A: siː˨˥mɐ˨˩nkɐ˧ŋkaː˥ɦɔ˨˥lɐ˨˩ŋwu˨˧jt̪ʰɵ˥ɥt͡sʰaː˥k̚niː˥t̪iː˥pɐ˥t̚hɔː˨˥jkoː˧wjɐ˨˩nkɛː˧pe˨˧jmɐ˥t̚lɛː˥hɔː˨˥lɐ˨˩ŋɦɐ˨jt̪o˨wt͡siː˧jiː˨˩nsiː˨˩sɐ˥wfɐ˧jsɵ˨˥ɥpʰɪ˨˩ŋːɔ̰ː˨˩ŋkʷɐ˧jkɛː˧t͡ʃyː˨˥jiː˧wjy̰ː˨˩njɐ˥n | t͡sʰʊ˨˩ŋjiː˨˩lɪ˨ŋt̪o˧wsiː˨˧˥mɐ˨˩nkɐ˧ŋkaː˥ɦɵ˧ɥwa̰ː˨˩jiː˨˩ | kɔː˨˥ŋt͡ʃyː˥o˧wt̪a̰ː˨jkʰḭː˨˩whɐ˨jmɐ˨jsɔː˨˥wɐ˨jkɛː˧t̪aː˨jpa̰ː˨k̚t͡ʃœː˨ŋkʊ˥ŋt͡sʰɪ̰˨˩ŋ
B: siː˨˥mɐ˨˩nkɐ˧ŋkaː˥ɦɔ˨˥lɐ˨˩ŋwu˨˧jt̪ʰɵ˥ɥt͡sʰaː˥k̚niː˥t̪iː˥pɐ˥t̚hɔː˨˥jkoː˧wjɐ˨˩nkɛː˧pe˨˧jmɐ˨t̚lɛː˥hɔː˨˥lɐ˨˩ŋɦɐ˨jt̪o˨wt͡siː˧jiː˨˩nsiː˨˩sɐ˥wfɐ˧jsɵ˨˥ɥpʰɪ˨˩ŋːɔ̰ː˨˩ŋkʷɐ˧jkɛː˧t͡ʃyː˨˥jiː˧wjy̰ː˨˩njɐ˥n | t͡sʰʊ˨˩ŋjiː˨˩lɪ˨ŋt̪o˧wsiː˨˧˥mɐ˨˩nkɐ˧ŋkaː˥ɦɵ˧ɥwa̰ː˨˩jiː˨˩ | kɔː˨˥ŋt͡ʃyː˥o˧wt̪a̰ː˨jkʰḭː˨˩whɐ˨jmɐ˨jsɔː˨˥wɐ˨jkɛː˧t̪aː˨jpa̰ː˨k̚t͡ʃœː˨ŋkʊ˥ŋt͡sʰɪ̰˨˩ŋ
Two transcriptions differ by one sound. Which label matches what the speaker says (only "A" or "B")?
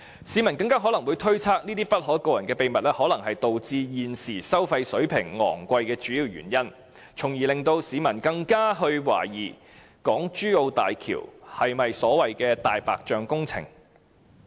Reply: B